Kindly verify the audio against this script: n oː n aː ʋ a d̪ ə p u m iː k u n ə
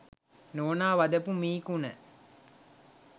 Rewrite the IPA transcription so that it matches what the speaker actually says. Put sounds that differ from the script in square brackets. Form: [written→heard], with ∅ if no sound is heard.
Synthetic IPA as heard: n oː n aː ʋ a d̪ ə p u m iː k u n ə